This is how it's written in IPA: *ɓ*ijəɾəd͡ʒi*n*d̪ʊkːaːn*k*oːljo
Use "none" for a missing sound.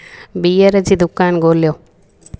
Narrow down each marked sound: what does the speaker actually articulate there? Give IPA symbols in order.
b, none, ɡ

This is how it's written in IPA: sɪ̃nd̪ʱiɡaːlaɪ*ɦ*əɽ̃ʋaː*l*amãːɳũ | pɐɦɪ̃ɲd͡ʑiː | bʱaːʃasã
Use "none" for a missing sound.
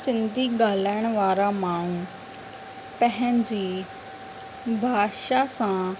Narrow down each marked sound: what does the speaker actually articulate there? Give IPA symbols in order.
none, ɾ

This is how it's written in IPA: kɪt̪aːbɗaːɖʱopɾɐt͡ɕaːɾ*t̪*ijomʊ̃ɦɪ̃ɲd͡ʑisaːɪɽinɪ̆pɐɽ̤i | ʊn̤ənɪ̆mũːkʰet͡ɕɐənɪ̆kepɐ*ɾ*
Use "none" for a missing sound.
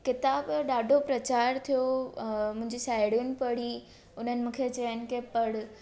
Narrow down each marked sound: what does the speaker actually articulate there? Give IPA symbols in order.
t̪ʰ, ɽ

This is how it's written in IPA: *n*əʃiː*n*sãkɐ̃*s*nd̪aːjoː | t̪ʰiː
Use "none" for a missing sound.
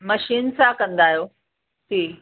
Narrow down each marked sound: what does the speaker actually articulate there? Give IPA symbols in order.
m, n, none

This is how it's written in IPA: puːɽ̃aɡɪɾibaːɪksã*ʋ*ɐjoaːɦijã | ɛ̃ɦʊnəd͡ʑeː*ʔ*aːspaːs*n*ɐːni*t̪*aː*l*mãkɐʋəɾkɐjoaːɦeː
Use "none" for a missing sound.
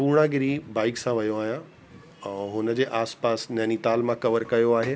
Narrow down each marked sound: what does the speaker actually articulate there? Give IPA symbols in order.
ʋ, ʔ, n, t̪, l

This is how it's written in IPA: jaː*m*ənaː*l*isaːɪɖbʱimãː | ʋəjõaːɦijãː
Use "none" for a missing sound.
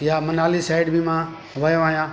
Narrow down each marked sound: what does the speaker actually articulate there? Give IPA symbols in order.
m, l

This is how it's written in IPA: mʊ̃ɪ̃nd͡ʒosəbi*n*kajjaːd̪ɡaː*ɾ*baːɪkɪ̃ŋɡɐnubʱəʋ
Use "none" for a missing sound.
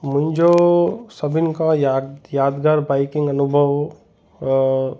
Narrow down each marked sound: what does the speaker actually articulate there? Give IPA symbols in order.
n, ɾ

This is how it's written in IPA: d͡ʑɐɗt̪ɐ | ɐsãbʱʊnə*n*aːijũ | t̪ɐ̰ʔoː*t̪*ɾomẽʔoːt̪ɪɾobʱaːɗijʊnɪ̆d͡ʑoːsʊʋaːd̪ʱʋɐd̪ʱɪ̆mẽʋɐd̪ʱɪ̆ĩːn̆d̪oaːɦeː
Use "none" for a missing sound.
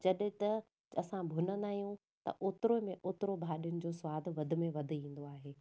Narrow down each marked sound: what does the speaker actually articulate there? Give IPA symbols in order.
n, t̪

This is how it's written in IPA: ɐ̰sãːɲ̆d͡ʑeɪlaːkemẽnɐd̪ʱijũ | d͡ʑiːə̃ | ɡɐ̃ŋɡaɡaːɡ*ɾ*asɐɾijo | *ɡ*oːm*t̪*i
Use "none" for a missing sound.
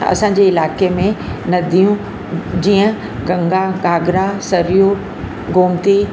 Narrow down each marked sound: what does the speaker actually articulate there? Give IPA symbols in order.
ɾ, ɡ, t̪

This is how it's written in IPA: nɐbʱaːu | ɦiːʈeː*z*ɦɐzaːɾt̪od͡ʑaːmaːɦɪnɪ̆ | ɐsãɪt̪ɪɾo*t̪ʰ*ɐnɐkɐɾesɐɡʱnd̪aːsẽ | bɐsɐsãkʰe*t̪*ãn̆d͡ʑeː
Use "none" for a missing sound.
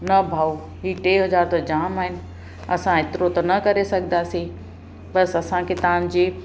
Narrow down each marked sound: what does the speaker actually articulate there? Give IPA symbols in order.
none, t̪, t̪

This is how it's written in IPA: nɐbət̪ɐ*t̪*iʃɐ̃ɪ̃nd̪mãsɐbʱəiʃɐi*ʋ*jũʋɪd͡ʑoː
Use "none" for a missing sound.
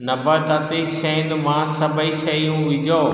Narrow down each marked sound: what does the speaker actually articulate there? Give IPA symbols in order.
t̪, none

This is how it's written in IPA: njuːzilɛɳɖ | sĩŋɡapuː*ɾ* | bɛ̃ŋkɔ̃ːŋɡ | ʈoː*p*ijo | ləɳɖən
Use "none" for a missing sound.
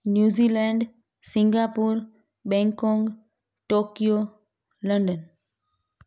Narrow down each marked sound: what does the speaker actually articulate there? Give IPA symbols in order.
ɾ, k

